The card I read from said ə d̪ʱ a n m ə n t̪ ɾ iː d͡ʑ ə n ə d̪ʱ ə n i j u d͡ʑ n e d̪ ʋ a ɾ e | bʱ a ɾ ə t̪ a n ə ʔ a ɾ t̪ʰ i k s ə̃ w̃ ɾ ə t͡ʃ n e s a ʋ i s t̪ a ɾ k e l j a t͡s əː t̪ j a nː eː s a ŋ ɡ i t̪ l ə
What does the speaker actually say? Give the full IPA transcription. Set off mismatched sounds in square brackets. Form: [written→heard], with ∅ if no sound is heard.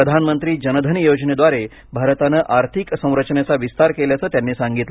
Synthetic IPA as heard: ə d̪ʱ a n m ə n t̪ ɾ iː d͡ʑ ə n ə d̪ʱ ə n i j [u→o] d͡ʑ n e d̪ ʋ a ɾ e | bʱ a ɾ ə t̪ a n ə ʔ a ɾ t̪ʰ i k s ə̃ w̃ ɾ ə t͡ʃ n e [s→t͡s] a ʋ i s t̪ a ɾ k e l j a t͡s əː t̪ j a nː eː s a ŋ ɡ i t̪ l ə